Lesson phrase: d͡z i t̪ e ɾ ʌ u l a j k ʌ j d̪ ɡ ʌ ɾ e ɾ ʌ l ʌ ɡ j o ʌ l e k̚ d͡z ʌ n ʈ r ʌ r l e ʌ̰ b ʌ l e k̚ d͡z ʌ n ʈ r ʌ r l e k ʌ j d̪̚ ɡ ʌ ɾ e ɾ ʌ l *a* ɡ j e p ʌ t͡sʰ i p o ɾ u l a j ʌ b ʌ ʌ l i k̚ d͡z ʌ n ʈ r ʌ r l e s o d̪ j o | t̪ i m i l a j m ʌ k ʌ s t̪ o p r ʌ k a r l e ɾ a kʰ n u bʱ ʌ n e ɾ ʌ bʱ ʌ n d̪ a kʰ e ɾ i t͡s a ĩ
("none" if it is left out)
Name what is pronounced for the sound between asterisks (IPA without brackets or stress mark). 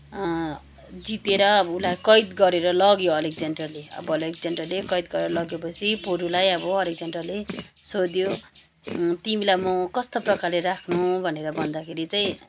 ʌ